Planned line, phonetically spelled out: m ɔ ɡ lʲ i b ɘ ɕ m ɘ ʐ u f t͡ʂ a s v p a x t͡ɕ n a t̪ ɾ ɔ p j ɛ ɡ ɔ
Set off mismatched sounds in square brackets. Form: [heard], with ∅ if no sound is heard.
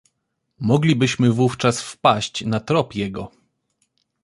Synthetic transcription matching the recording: m ɔ ɡ lʲ i b ɘ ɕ m ɘ [v] u f t͡ʂ a s [f] p a [ɕ] t͡ɕ n a t̪ ɾ ɔ p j ɛ ɡ ɔ